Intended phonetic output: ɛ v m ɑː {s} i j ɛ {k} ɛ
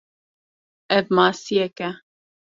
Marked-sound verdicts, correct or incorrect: correct, correct

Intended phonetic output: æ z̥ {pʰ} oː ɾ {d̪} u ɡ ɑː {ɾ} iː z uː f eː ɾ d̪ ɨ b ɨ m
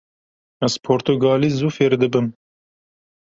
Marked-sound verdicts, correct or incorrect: correct, incorrect: t̪, incorrect: l

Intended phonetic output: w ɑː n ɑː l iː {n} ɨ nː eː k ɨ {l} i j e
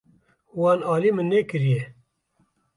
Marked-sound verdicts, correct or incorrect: incorrect: m, incorrect: ɾ

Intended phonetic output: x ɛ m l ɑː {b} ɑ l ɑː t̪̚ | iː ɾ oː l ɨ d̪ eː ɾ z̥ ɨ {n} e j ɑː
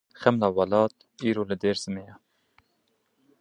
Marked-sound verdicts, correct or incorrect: incorrect: w, incorrect: m

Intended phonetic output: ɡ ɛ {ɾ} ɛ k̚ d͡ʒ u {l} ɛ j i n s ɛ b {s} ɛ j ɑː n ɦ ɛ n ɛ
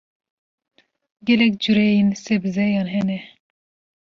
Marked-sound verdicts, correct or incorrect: incorrect: l, incorrect: ɾ, incorrect: z

